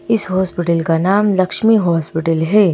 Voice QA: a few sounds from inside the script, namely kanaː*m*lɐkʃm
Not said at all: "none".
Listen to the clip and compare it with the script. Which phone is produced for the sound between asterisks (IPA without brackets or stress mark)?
m